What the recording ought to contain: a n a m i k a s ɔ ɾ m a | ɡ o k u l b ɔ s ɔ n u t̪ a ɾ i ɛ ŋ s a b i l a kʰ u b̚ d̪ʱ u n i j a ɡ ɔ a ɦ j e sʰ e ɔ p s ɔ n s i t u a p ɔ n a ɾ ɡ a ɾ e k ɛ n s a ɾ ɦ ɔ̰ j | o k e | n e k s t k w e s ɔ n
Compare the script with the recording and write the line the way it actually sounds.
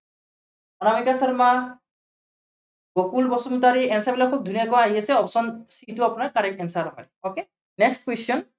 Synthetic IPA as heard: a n a m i k a s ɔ ɾ m a | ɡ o k u l b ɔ s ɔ n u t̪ a ɾ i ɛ n s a b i l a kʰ u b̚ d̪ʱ u n i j a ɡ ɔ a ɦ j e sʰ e ɔ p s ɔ n s i t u a p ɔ n a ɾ k a ɾ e k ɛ n s a ɾ ɦ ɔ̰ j | o k e | n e k s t k w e s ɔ n